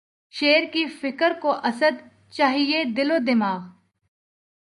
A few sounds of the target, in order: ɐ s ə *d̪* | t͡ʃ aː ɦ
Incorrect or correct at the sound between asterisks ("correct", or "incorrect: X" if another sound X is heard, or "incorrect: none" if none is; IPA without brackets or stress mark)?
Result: correct